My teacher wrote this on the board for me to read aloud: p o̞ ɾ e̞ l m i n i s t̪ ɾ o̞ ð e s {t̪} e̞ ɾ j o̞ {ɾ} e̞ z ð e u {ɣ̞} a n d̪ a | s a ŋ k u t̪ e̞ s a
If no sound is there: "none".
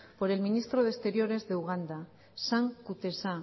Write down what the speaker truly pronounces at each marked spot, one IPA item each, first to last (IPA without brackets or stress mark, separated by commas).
t̪, ɾ, ɣ̞